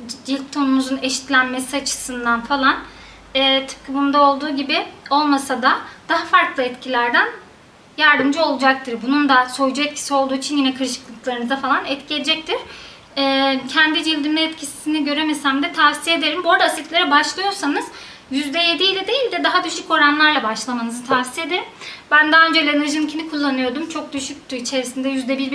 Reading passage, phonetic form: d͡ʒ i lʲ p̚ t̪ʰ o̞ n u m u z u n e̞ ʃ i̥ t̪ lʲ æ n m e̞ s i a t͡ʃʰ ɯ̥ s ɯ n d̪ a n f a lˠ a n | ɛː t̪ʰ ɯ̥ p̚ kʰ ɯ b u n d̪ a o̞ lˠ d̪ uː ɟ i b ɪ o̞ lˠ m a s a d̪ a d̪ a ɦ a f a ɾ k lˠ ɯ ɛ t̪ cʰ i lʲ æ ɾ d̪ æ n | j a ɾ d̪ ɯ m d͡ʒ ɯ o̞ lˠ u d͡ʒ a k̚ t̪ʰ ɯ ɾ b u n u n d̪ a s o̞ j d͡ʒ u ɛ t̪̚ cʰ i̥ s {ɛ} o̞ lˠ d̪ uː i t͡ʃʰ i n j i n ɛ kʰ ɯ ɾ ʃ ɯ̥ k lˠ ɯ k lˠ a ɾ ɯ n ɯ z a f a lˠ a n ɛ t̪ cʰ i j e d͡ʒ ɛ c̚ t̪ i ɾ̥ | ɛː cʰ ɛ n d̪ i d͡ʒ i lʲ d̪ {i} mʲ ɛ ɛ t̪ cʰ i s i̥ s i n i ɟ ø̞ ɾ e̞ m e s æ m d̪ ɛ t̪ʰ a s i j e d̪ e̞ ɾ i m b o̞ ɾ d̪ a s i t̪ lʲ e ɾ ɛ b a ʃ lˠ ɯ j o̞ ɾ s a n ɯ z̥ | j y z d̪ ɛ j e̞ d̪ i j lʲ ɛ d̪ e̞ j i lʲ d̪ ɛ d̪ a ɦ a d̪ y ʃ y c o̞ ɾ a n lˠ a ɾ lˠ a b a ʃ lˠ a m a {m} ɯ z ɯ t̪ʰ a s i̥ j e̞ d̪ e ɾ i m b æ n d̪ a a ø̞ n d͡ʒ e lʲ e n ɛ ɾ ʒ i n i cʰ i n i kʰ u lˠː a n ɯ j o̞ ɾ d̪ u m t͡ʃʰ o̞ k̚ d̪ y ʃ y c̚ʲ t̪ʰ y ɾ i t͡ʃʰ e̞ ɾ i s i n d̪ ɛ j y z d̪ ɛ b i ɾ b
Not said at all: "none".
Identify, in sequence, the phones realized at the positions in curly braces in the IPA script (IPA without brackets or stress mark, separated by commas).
i, i, n